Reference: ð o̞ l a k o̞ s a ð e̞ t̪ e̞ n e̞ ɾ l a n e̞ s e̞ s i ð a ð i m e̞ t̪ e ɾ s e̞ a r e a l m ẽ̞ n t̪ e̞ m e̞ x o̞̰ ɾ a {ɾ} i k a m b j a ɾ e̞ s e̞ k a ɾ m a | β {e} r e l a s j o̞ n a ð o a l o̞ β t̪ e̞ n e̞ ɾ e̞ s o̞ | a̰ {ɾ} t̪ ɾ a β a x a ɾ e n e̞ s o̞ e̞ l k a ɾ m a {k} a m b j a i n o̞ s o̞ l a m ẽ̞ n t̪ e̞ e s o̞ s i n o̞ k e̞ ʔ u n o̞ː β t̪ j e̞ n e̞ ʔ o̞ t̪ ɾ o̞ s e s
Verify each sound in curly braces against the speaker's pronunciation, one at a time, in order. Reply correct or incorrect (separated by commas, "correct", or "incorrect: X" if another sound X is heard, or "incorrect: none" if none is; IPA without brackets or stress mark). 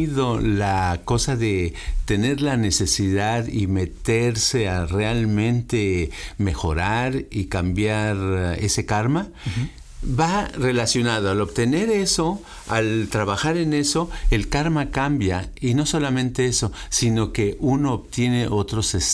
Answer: correct, incorrect: a, incorrect: l, correct